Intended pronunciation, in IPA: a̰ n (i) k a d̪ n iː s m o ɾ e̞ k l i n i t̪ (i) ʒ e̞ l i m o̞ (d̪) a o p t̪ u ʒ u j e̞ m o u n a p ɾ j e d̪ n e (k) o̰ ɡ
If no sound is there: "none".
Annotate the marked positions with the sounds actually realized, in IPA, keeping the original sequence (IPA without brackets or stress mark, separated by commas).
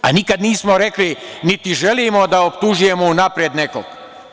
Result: i, i, d̪, k